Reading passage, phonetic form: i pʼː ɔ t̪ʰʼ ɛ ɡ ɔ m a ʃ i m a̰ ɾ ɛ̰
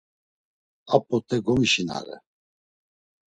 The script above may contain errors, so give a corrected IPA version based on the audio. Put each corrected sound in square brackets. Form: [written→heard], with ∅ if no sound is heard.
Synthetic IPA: [i→a] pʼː ɔ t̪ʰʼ ɛ ɡ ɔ m [a→i] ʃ i [m→n] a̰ ɾ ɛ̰